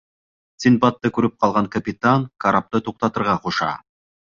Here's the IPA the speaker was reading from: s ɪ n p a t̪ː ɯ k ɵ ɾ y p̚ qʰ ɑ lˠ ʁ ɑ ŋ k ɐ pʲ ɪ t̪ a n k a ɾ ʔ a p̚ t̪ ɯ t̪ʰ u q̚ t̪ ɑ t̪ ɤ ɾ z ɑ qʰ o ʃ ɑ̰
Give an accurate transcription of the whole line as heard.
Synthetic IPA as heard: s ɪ n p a t̪ː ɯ k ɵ ɾ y p̚ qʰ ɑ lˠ ʁ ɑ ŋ k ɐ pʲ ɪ t̪ a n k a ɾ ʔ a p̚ t̪ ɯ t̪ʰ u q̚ t̪ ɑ t̪ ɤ ɾ ʁ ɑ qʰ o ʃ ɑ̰